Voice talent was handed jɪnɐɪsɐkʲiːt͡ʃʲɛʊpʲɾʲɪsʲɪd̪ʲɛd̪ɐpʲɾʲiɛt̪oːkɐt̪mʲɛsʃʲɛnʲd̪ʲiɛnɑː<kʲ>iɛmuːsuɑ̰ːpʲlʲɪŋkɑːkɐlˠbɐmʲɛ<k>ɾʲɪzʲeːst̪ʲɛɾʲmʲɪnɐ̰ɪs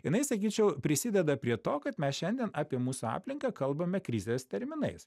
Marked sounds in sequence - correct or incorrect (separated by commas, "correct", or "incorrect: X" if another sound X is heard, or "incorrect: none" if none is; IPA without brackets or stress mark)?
incorrect: pʲ, correct